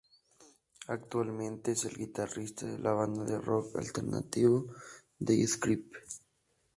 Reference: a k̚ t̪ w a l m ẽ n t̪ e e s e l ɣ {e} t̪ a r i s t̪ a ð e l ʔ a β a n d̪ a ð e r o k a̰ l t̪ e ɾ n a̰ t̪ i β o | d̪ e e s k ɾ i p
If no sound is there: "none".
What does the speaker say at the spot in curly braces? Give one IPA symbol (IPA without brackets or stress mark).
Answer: i